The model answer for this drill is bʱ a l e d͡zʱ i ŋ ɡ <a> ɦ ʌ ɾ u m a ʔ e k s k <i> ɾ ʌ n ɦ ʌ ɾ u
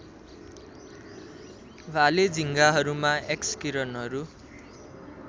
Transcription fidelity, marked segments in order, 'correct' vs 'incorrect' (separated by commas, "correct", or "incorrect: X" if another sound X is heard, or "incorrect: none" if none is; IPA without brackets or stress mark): correct, correct